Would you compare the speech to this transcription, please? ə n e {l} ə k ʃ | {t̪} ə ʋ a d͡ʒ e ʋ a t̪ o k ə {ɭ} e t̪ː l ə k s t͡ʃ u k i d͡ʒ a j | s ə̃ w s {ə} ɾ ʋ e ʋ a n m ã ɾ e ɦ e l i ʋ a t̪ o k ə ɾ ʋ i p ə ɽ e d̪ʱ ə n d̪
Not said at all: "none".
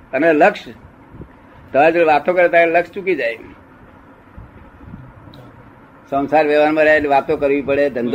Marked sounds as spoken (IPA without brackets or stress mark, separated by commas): l, t̪, ɾ, a